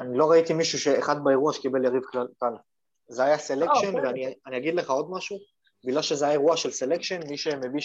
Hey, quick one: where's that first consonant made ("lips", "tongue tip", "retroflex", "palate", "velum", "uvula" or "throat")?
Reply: tongue tip